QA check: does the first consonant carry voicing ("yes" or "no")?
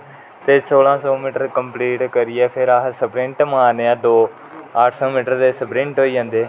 no